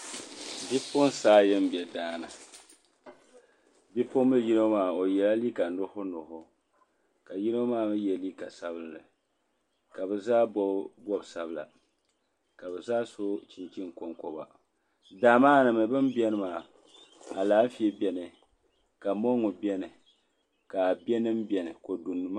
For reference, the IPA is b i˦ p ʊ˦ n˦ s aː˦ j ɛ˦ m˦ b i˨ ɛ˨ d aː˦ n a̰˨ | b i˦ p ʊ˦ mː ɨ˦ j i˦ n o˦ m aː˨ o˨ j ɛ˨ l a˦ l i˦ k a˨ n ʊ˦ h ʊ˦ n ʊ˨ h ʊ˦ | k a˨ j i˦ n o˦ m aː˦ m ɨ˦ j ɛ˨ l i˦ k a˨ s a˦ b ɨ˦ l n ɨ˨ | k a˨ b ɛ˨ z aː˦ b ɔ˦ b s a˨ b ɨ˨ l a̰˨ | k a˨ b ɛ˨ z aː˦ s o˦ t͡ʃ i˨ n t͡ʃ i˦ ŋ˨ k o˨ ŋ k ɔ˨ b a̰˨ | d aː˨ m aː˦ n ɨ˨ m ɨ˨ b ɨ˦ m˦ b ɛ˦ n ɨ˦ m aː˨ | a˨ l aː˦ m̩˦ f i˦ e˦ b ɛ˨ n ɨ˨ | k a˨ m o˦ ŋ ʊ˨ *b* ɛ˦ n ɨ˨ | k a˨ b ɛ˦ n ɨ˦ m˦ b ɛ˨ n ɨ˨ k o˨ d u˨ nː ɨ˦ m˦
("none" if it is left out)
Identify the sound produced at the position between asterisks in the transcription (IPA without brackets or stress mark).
b